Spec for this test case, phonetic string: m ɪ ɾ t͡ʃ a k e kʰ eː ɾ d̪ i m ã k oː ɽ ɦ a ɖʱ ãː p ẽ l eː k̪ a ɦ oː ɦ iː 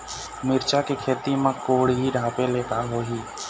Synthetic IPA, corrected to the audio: m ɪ ɾ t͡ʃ a k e kʰ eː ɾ t̪ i m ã k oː ɽ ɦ i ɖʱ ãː p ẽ l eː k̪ a ɦ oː ɦ iː